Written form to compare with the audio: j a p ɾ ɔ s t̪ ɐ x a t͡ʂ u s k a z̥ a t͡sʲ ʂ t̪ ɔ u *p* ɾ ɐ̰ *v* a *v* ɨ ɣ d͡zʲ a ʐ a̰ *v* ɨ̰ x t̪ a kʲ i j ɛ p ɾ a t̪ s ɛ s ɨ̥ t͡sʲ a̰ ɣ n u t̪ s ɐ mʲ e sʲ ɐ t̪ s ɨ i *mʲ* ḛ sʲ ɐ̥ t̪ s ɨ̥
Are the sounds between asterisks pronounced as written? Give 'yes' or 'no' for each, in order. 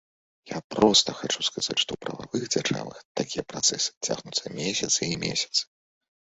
yes, yes, yes, yes, yes

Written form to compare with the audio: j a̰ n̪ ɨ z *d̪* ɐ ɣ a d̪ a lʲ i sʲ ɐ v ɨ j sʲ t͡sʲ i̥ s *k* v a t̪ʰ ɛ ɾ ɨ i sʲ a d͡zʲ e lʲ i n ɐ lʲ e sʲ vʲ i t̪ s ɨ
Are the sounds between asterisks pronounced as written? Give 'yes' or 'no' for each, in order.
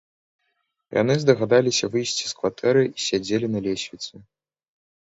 yes, yes

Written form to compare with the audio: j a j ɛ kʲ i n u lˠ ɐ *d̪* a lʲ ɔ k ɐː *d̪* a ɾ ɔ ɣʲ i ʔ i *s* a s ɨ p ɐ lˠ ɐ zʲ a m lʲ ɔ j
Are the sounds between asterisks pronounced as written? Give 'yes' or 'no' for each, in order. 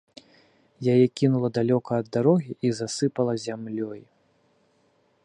yes, no, no

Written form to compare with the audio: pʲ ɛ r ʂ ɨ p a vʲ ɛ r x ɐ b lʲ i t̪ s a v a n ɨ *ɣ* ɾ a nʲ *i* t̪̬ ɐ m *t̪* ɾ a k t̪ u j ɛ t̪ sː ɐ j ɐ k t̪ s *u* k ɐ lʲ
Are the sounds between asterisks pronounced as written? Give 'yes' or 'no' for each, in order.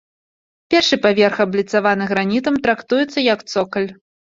yes, yes, yes, no

